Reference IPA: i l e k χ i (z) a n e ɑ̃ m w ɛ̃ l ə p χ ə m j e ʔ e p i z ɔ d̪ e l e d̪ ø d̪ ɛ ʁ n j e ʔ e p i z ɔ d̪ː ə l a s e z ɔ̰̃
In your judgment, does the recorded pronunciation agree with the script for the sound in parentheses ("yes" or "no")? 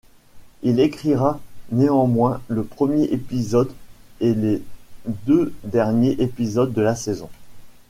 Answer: no